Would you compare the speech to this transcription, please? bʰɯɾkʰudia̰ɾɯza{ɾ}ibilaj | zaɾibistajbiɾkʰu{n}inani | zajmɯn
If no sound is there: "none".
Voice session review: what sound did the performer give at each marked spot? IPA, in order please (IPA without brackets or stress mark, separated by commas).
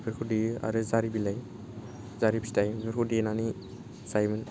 ɾ, d